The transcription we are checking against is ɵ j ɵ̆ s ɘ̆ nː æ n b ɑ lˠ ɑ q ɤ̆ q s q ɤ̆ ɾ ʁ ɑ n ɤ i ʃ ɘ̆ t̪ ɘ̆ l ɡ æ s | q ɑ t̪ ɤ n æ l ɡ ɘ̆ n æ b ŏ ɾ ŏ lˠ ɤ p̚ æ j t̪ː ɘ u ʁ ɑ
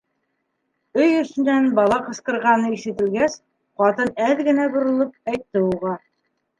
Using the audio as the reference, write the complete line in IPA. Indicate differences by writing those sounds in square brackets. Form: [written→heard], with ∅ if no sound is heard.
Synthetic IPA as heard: ɵ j ɵ̆ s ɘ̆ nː æ n b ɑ lˠ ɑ q ɤ̆ [q→∅] s q ɤ̆ ɾ ʁ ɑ n ɤ i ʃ ɘ̆ t̪ ɘ̆ l ɡ æ s | q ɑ t̪ ɤ n æ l ɡ ɘ̆ n æ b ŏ ɾ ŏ lˠ ɤ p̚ æ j t̪ː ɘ u ʁ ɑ